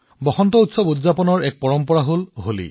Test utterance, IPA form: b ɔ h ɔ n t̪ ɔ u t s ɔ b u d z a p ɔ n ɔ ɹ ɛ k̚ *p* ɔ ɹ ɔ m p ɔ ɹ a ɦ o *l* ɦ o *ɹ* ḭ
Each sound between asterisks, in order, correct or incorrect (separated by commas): correct, correct, incorrect